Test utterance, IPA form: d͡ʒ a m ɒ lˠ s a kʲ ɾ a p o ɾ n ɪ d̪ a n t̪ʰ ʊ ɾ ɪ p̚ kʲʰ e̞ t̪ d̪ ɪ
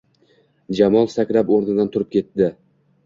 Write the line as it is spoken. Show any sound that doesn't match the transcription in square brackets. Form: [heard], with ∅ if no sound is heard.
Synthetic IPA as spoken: d͡ʒ a m ɒ lˠ s a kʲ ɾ a p o ɾ n ɪ d̪ a n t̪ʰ ʊ ɾ ɪ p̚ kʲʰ e̞ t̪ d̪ ɪ